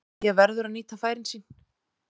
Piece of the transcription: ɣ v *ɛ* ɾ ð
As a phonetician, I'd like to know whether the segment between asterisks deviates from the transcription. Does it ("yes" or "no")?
no